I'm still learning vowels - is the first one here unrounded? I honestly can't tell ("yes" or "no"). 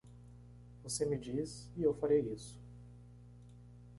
no